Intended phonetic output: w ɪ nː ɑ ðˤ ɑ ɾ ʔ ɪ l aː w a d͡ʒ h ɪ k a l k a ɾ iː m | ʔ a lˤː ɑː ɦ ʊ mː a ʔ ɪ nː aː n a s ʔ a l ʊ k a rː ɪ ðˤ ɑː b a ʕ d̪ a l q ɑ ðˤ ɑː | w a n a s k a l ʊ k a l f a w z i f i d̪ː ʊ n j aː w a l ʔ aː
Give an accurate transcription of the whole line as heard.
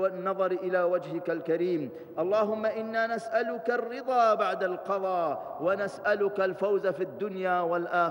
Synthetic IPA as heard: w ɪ nː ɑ ðˤ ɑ ɾ ʔ ɪ l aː w a d͡ʒ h ɪ k a l k a ɾ iː m | ʔ ɑ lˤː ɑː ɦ ʊ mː a ʔ ɪ nː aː n a s ʔ a l ʊ k a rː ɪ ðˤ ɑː b a ʕ d̪ a l q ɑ ðˤ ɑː | w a n a s ʔ a l ʊ k a l f a w z a f i d̪ː ʊ n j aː w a l ʔ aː